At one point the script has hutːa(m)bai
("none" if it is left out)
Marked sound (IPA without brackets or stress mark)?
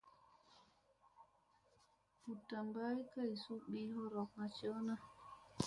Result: m